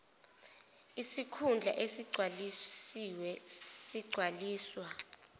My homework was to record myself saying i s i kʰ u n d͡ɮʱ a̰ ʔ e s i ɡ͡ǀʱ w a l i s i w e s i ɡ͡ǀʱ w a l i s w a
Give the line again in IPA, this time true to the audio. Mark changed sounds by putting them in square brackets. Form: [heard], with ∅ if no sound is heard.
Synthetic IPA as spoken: i s i kʰ u n d͡ɮʱ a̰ ʔ e s i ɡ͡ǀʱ w a l i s i w [ɛ] s i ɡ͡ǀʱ w a l [iː] s w a